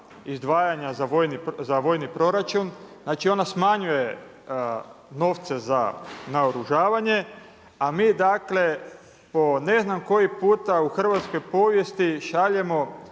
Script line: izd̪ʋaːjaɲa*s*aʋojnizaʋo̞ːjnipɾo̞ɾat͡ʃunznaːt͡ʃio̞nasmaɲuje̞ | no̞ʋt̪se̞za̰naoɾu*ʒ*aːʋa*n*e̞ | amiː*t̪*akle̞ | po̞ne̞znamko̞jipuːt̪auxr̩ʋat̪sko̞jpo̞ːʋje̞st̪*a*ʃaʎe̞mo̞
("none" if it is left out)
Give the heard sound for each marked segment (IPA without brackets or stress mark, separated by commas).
z, ʒ, ɲ, d̪, i